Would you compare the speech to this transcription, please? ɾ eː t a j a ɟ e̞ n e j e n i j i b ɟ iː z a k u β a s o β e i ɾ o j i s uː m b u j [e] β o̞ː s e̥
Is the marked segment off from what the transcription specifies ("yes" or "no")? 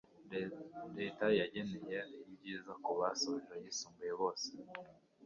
no